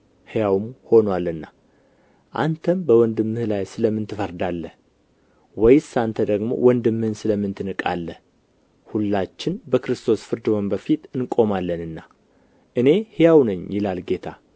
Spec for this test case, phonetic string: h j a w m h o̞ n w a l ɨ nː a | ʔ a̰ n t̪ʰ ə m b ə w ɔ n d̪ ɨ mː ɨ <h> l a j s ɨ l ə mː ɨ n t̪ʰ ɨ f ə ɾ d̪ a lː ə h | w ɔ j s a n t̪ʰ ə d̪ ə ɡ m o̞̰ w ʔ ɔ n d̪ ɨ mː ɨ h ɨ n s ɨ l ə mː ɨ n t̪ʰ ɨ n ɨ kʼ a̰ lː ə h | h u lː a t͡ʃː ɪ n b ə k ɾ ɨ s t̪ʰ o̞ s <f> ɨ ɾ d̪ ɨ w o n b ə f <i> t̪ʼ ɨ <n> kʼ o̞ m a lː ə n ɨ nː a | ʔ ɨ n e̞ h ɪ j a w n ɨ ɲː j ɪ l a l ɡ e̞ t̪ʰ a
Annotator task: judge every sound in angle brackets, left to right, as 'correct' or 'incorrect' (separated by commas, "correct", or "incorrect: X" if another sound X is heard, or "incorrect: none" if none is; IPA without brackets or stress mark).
correct, correct, correct, correct